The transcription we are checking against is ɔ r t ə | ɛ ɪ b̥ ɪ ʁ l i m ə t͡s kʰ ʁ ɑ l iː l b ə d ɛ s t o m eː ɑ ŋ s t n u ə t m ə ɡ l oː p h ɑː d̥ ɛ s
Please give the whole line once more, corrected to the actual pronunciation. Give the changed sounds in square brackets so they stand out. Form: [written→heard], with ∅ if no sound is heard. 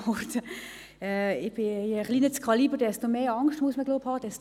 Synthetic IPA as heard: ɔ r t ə | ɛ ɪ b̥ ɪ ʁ l i [m→n] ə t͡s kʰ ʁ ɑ l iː [l→∅] b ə d ɛ s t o m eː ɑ ŋ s t [n→m] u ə [t→s] m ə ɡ l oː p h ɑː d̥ ɛ s